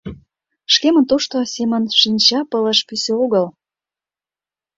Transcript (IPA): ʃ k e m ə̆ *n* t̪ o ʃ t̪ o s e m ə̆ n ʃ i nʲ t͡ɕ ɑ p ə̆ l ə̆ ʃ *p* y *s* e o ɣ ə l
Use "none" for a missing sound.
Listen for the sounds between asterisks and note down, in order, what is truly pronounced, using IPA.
n, p, s

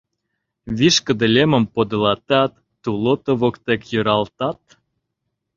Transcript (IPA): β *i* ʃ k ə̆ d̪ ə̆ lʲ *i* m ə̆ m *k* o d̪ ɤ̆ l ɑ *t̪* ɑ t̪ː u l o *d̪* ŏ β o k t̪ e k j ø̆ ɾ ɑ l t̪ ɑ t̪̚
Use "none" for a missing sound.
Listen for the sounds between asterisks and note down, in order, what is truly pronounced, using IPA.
i, e, p, t̪, t̪

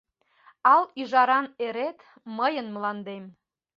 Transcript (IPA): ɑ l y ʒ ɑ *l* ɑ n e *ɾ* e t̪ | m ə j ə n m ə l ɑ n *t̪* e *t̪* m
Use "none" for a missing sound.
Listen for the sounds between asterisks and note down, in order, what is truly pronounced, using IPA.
ɾ, ɾ, d̪, none

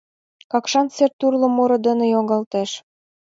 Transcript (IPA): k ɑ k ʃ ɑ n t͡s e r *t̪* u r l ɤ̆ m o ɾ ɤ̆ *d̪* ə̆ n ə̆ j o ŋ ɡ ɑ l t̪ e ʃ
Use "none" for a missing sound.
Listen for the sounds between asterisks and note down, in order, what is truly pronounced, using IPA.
t̪, d̪

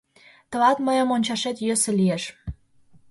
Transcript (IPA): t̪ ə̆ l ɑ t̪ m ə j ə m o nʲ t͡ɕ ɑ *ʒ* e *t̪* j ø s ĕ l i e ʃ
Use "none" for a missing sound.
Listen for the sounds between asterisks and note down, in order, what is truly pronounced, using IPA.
ʃ, t̪

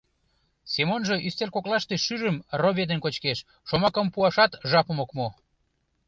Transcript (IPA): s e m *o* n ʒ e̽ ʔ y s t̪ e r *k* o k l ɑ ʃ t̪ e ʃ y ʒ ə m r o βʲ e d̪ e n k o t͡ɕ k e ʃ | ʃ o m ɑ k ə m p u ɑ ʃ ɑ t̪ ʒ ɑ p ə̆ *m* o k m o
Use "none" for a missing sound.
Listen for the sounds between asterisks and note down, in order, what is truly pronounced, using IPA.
o, k, m

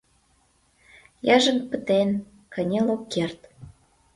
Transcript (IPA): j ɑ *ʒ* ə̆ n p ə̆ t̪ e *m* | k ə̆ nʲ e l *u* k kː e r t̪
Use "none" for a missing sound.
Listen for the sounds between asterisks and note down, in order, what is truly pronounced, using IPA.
ʒ, n, o

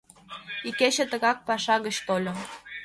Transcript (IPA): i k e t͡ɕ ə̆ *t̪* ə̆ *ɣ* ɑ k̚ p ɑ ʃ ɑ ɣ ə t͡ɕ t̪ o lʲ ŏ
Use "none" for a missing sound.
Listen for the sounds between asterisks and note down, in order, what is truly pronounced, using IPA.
t̪, ɣ

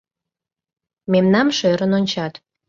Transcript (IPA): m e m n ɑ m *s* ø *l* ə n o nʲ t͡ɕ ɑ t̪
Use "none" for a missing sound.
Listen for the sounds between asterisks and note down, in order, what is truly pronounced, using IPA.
ʃ, ɾ

